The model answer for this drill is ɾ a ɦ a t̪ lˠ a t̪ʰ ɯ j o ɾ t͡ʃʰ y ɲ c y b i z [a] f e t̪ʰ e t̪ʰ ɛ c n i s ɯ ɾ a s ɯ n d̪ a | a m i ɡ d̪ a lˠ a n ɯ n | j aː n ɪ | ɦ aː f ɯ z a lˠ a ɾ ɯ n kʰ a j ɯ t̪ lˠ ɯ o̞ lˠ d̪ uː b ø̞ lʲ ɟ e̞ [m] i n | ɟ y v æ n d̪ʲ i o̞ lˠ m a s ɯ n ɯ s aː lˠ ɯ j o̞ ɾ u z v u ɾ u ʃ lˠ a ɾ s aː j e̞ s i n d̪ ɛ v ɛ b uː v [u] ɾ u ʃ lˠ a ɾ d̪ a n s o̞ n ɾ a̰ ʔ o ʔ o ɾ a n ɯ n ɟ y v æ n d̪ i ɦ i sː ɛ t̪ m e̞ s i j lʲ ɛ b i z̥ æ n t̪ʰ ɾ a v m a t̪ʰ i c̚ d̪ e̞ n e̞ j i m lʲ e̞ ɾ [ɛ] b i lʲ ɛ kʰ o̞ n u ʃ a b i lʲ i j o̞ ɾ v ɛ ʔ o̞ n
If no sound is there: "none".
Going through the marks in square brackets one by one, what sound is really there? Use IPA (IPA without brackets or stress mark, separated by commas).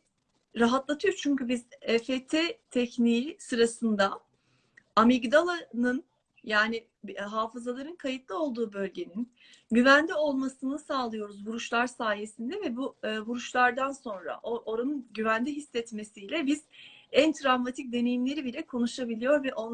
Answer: ɛ, n, u, i